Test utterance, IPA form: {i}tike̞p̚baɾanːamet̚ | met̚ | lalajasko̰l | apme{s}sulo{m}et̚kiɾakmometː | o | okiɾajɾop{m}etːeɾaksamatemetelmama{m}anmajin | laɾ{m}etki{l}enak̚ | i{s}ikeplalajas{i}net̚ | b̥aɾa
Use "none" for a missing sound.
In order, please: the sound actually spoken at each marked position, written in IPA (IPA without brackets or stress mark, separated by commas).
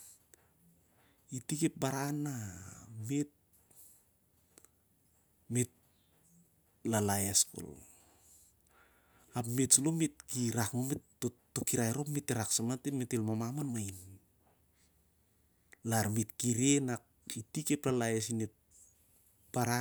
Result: i, t, m, m, m, m, ɾ, t, i